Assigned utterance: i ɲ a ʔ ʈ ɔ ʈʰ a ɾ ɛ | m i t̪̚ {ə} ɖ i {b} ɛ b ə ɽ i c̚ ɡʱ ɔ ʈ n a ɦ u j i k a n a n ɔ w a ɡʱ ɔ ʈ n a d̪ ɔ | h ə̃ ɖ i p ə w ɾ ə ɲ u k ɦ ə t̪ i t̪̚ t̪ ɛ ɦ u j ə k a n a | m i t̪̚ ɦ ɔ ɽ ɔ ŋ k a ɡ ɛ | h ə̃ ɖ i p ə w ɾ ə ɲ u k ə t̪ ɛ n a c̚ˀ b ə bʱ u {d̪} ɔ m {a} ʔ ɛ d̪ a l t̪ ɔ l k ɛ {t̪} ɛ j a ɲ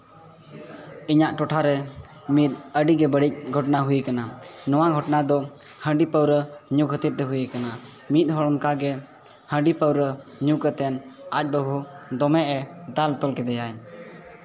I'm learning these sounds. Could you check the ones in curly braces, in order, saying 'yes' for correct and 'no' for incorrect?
yes, no, yes, no, no

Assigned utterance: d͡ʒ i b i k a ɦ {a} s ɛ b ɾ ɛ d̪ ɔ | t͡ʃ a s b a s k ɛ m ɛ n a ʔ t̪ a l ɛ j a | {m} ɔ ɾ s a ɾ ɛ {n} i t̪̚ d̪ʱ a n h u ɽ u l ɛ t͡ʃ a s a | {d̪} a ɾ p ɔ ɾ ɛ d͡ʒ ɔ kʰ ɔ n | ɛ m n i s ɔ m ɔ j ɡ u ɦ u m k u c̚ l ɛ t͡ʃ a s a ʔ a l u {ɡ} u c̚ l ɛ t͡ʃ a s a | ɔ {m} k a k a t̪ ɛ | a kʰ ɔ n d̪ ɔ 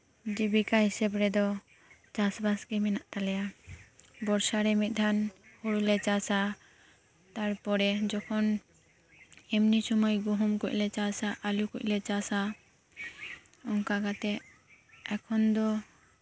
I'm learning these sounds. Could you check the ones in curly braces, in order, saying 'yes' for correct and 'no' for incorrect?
no, no, no, no, no, no

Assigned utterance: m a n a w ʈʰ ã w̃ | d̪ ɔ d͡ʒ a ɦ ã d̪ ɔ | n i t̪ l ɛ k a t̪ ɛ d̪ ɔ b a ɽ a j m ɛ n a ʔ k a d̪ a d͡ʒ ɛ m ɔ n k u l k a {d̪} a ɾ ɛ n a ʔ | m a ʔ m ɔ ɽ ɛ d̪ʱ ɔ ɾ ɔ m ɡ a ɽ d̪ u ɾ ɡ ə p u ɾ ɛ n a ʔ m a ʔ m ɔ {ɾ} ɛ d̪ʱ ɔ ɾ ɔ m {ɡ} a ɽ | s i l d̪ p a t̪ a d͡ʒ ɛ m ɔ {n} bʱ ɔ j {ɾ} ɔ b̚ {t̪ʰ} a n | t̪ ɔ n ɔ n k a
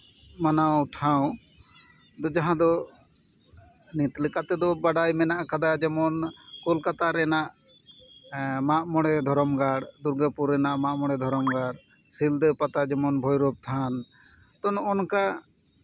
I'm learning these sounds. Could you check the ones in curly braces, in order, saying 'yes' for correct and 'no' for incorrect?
no, no, yes, yes, yes, yes

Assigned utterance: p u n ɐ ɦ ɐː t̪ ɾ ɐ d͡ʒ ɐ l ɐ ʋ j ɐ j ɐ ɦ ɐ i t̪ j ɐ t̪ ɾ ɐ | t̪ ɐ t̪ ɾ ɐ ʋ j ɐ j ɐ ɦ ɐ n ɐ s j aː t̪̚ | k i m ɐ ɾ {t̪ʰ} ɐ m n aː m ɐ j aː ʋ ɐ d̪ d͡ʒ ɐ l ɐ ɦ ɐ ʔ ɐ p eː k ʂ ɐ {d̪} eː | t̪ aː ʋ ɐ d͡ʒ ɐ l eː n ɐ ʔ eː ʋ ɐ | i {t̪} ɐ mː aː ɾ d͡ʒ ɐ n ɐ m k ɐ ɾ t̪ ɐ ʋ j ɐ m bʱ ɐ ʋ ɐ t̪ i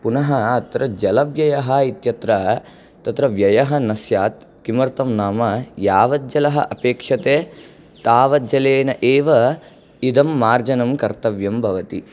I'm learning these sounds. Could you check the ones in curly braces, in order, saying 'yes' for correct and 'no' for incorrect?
no, no, no

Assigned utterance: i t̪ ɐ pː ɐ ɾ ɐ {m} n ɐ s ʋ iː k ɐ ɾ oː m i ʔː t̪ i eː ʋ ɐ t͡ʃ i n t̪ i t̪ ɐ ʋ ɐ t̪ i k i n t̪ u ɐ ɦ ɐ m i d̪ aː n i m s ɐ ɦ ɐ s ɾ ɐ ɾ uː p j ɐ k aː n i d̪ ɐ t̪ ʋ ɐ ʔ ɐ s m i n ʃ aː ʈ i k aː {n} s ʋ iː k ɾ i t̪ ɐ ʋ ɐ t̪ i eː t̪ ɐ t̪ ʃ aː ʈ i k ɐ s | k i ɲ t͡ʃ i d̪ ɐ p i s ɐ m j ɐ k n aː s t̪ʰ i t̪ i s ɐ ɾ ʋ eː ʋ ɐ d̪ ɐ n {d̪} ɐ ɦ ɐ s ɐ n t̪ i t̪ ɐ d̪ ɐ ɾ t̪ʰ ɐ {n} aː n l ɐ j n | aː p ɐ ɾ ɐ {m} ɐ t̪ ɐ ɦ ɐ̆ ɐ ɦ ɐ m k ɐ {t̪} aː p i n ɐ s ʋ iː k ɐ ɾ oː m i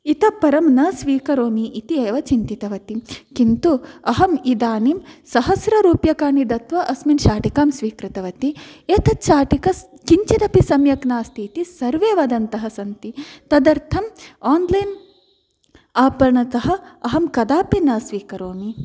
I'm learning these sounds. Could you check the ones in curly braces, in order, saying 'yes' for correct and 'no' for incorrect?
yes, no, no, no, no, no

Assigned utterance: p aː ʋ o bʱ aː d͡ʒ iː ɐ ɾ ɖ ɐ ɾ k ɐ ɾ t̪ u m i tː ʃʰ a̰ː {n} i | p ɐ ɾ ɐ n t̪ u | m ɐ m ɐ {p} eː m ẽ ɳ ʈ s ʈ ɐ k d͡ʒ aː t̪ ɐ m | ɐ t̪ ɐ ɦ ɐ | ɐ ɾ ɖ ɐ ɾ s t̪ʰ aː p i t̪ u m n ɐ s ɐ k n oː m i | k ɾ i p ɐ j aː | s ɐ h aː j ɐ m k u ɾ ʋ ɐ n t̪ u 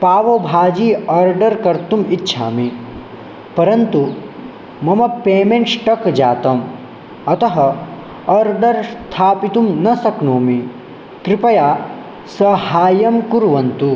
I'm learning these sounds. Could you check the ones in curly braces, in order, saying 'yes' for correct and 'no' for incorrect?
no, yes

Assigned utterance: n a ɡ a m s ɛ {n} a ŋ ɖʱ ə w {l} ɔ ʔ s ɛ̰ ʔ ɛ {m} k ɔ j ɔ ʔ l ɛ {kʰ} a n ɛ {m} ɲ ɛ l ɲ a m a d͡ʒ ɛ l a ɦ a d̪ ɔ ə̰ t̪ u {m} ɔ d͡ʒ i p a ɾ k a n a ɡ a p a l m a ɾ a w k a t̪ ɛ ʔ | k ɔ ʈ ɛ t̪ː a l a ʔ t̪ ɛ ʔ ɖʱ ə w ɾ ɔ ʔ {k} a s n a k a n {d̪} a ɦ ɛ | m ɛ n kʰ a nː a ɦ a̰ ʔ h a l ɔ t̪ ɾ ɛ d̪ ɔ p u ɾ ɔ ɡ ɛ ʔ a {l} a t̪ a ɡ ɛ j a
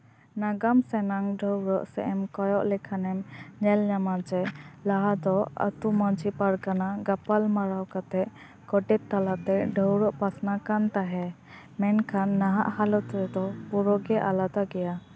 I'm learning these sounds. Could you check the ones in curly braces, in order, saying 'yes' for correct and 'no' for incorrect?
yes, no, yes, yes, yes, yes, no, no, yes

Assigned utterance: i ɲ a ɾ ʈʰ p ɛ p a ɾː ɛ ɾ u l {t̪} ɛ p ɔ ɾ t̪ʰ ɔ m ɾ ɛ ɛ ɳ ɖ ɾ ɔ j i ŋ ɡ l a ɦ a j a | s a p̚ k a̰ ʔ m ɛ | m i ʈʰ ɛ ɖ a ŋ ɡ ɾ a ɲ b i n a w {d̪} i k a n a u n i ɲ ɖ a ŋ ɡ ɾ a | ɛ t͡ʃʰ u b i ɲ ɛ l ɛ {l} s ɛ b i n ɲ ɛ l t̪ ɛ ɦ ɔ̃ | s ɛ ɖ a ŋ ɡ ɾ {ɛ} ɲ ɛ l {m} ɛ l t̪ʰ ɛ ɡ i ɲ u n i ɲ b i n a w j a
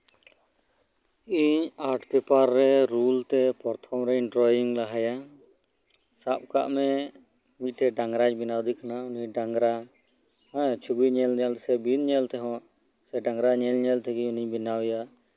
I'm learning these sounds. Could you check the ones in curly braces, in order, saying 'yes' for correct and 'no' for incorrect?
yes, yes, yes, no, no

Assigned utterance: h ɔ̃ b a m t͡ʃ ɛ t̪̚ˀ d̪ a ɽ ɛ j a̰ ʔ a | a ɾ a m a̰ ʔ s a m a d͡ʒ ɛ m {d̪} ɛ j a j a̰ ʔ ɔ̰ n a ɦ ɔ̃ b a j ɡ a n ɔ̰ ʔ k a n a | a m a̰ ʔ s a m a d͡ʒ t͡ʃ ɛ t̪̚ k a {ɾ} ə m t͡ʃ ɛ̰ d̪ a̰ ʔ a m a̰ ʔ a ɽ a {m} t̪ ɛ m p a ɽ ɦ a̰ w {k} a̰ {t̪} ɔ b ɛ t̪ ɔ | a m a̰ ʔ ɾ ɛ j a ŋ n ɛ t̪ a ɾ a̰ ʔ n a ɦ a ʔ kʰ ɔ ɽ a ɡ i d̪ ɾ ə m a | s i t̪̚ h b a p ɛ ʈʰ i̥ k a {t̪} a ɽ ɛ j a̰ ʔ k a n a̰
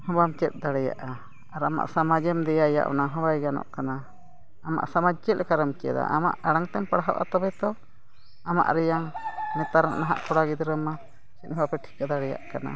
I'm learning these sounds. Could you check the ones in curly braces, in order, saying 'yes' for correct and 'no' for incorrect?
yes, yes, no, no, yes, no

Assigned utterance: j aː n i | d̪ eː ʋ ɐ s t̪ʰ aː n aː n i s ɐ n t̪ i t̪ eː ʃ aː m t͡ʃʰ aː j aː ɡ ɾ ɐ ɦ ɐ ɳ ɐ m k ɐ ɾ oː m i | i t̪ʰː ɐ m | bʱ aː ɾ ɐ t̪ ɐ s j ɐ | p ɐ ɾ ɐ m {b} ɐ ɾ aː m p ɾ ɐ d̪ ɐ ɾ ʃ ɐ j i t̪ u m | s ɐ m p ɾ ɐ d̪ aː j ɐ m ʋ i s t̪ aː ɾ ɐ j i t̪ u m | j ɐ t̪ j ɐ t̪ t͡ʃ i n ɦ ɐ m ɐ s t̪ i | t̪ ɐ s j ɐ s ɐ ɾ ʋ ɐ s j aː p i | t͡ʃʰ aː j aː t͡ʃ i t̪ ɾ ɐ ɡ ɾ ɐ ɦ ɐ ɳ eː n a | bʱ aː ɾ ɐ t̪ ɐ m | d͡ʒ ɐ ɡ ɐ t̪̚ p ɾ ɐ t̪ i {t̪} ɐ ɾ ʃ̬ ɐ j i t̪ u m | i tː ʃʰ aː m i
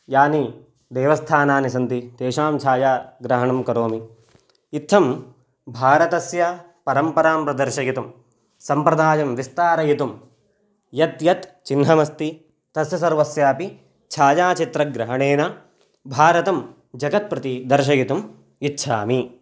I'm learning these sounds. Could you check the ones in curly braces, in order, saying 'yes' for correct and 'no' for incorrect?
no, no

